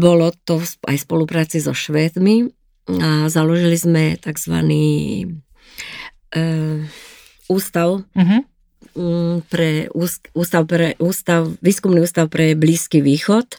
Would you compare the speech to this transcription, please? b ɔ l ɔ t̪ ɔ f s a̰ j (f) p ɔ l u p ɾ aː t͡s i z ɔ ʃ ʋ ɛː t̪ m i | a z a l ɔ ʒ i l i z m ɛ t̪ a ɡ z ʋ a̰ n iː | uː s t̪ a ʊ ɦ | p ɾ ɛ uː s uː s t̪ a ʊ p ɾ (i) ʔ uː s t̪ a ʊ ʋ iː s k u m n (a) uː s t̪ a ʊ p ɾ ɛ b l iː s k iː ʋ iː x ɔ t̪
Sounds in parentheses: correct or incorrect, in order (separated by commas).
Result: incorrect, incorrect, incorrect